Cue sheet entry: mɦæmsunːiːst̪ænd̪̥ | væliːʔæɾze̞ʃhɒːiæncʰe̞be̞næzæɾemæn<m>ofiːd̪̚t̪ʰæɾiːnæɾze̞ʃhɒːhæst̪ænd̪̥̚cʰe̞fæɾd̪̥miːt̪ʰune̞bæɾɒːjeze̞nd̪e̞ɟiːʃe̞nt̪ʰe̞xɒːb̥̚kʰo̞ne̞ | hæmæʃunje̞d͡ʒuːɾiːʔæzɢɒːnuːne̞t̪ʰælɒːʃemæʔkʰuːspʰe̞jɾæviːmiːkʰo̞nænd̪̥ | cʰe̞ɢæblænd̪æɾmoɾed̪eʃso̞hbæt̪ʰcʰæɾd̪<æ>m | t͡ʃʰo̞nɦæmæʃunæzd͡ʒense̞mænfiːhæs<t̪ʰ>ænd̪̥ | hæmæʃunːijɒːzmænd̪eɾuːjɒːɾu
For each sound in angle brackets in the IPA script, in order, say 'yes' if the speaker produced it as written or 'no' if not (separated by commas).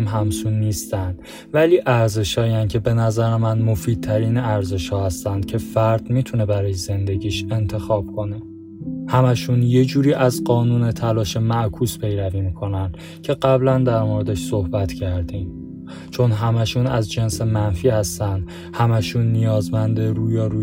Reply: yes, no, no